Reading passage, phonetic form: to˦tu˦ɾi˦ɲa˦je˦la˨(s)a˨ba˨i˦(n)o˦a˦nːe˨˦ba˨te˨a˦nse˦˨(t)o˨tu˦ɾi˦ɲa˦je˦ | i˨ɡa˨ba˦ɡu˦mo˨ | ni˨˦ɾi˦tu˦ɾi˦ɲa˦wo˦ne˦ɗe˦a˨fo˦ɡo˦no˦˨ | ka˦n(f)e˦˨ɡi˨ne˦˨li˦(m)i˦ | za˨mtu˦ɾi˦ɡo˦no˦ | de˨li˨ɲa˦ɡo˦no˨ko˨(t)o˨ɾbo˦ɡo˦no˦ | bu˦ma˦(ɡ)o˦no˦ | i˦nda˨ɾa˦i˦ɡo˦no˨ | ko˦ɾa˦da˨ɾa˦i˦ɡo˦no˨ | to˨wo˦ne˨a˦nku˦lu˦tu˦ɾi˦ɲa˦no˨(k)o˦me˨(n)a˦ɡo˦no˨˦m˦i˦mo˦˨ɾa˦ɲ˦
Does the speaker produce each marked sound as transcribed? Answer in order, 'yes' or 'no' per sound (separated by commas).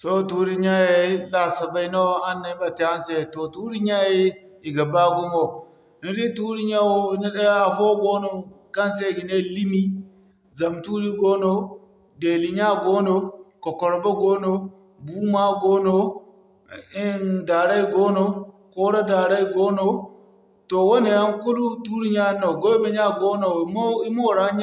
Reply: yes, yes, yes, no, yes, no, yes, no, no